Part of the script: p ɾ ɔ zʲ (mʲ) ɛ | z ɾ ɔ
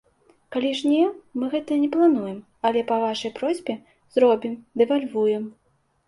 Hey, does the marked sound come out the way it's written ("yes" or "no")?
no